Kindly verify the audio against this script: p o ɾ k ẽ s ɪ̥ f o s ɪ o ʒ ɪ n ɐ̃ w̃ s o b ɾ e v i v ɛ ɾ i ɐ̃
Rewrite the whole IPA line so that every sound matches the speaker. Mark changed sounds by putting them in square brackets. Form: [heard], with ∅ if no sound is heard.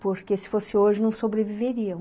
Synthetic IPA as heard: p o ɾ k [e] s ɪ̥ f o s ɪ o ʒ ɪ n ɐ̃ w̃ s o b ɾ e v i v [e] ɾ i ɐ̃

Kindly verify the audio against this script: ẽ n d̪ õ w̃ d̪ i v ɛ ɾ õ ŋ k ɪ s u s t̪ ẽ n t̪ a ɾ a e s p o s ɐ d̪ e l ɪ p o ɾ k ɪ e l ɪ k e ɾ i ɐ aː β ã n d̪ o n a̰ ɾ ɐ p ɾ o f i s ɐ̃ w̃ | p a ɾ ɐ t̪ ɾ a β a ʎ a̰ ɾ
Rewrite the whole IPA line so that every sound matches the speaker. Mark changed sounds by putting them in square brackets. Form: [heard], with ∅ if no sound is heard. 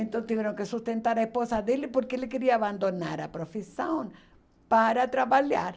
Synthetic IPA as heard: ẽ n [t̪] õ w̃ [t̪] i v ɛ ɾ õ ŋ k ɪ s u s t̪ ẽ n t̪ a ɾ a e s p o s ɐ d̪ e l ɪ p o ɾ k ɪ e l ɪ k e ɾ i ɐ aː β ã n d̪ o n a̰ ɾ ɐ p ɾ o f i s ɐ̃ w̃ | p a ɾ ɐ t̪ ɾ a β a ʎ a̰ ɾ

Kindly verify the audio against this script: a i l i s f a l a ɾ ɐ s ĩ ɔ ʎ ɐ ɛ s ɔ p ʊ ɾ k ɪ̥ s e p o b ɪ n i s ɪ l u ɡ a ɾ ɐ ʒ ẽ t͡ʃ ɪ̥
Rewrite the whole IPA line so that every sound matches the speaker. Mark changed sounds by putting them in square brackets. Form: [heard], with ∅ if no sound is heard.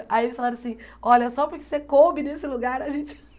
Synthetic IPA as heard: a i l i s f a l a ɾ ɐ s ĩ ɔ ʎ ɐ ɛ s ɔ p ʊ ɾ k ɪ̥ s e [k] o b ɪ n [e] s ɪ l u ɡ a ɾ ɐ ʒ ẽ t͡ʃ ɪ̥

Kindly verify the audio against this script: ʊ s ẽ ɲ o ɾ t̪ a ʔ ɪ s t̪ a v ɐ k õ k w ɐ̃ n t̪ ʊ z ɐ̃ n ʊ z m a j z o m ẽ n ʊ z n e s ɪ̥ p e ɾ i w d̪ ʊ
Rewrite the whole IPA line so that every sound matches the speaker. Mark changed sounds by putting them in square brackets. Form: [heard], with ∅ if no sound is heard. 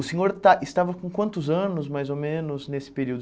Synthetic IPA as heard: ʊ s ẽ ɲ o ɾ t̪ a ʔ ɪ s t̪ a v ɐ k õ k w ɐ̃ n t̪ ʊ z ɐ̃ n ʊ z m a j z o m ẽ n ʊ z n e s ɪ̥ p e ɾ i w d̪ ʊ

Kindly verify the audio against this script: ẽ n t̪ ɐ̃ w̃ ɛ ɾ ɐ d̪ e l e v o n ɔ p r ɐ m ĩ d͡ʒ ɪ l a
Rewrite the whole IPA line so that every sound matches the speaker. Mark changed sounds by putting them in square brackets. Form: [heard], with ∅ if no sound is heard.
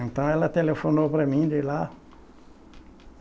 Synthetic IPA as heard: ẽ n t̪ ɐ̃ w̃ ɛ [l] ɐ [t̪] e l e [f] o n [o] p [ɾ] ɐ m ĩ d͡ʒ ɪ l a

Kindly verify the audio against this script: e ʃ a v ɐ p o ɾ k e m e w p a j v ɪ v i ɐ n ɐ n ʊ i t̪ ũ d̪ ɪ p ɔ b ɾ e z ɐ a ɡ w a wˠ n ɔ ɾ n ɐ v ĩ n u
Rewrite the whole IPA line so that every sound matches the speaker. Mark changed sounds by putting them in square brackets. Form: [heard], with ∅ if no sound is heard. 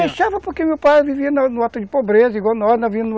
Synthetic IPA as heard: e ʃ a v ɐ p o ɾ k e m e w p a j v [i] v i ɐ n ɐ n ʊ [a] t̪ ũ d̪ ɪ p [o] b ɾ e z ɐ [i] ɡ w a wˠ n ɔ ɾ n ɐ v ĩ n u

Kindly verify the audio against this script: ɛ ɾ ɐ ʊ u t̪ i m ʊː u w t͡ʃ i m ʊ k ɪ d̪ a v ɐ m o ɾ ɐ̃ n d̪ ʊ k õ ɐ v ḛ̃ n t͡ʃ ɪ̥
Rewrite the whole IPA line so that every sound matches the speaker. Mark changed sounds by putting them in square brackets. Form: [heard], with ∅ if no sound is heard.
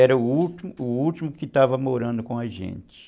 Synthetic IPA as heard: ɛ ɾ ɐ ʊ u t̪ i m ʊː u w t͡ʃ i m ʊ k ɪ [t̪] a v ɐ m o ɾ ɐ̃ n d̪ ʊ k õ ɐ [ʒ] ḛ̃ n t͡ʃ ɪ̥

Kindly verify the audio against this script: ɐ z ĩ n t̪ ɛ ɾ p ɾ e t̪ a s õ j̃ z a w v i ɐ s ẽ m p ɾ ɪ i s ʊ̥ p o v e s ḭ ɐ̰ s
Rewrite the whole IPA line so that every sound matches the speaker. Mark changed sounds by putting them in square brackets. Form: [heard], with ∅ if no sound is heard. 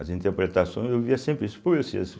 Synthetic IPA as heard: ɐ z ĩ n t̪ [e] ɾ p ɾ e t̪ a s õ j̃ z [e] w v i ɐ s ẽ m p ɾ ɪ i s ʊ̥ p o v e s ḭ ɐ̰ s

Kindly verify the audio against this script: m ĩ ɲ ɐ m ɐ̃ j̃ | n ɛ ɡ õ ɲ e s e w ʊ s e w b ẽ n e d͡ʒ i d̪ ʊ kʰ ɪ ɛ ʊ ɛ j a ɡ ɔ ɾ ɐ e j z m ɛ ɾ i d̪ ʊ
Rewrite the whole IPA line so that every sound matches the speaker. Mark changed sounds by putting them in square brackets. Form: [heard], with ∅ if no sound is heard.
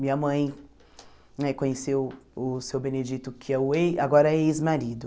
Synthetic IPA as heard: m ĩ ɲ ɐ m ɐ̃ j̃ | n ɛ [k] õ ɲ e s e w ʊ s e w b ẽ n e d͡ʒ i [t̪] ʊ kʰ ɪ ɛ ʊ [e] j a ɡ ɔ ɾ ɐ e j z m [a] ɾ i d̪ ʊ

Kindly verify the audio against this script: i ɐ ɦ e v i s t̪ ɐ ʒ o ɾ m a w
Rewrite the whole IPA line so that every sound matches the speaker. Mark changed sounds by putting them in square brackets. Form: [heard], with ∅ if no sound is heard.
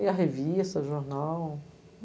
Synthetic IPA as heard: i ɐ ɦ e v i s t̪ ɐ ʒ o ɾ [n] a w

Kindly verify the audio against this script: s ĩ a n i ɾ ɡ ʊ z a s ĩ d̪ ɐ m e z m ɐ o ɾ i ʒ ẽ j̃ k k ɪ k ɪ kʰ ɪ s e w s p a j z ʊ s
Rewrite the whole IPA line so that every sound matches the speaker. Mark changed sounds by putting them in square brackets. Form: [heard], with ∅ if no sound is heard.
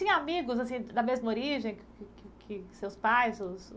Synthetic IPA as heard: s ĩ a [m] i [∅] ɡ ʊ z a s ĩ d̪ ɐ m e z m ɐ o ɾ i ʒ ẽ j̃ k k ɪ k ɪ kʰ ɪ s e w s p a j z ʊ s

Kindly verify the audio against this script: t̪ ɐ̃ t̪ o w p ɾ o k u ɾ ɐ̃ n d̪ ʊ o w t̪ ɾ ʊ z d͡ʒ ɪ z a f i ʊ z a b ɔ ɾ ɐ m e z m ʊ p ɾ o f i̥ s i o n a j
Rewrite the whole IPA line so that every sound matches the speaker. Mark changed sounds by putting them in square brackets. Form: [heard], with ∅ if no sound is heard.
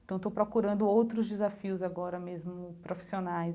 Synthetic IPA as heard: t̪ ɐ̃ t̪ o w p ɾ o k u ɾ ɐ̃ n d̪ ʊ o w t̪ ɾ ʊ z d͡ʒ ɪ z a f i ʊ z a [ɡ] ɔ ɾ ɐ m e z m ʊ p ɾ o f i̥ s i o n a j

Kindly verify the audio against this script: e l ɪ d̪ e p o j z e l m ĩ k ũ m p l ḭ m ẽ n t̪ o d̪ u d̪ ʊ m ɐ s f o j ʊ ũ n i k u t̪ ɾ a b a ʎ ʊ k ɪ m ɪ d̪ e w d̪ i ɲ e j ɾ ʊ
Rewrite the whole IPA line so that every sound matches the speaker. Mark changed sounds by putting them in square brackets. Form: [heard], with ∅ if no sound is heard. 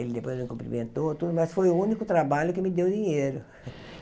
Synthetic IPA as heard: e l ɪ d̪ e p o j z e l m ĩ k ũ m p [ɾ] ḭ m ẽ n t̪ o [t̪] u d̪ ʊ m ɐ s f o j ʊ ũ n i k [ʊ] t̪ ɾ a b a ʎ ʊ k ɪ m ɪ d̪ e w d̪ i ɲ e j ɾ ʊ

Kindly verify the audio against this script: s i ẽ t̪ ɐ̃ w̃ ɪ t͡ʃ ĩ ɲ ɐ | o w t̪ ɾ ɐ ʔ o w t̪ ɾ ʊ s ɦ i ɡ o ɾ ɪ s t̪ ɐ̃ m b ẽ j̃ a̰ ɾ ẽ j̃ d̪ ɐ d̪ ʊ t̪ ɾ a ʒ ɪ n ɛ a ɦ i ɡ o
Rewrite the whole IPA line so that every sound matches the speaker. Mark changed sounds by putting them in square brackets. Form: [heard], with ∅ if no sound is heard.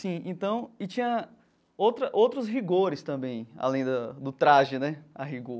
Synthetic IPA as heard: s [ĩ] ẽ t̪ ɐ̃ w̃ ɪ t͡ʃ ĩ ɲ ɐ | o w t̪ ɾ ɐ ʔ o w t̪ ɾ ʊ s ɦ i ɡ o ɾ ɪ s t̪ ɐ̃ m b ẽ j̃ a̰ [l] ẽ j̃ d̪ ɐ d̪ ʊ t̪ ɾ a ʒ ɪ n ɛ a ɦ i ɡ o

